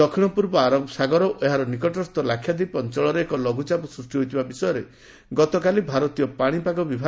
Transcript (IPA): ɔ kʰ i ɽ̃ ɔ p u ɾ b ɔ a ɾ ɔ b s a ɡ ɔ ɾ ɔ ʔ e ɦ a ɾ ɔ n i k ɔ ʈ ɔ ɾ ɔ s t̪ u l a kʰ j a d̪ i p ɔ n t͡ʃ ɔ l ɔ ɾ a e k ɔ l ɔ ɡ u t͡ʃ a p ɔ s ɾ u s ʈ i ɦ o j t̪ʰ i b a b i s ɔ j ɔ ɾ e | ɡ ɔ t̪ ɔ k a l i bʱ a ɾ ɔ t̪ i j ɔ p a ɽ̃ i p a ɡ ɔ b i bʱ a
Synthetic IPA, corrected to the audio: ɔ kʰ i ɽ̃ ɔ p u ɾ b ɔ a ɾ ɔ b s a ɡ ɔ ɾ ɔ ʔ e ɦ a ɾ ɔ n i k ɔ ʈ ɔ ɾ ɔ s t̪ ɔ l a kʰ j a d̪ i p ɔ n t͡ʃ ɔ ɭ ɔ ɾ e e k ɔ l ɔ ɡ u t͡ʃ a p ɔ s ɾ u s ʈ i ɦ o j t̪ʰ i b a b i s ɔ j ɔ ɾ e | ɡ ɔ t̪ ɔ k a l i bʱ a ɾ ɔ t̪ i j ɔ p a ɽ̃ i p a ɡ ɔ b i bʱ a